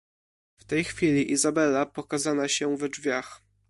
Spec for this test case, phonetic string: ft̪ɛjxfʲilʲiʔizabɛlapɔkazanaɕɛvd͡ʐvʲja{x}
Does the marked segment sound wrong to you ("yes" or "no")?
no